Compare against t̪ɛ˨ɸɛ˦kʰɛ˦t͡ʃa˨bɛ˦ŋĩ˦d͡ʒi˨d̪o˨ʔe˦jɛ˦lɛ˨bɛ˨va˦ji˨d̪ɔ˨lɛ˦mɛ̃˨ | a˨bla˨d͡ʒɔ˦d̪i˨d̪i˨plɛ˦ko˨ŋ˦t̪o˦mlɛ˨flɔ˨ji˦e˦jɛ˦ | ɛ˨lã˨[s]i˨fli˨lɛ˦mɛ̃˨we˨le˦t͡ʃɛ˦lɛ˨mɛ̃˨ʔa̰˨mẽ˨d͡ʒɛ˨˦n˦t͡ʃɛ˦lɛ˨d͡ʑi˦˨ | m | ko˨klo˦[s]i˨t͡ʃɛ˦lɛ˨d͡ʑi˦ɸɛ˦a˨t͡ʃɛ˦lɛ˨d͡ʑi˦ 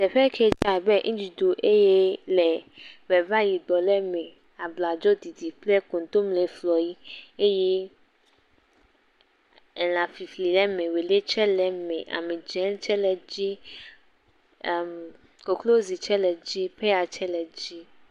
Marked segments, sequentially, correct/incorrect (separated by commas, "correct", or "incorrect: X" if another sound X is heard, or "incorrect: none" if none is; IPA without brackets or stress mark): incorrect: f, incorrect: z